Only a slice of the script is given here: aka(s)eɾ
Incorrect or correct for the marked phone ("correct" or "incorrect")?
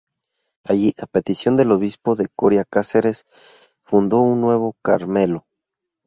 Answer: correct